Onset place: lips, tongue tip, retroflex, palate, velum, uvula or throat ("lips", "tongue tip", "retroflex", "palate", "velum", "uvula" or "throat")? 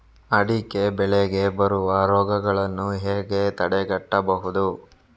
retroflex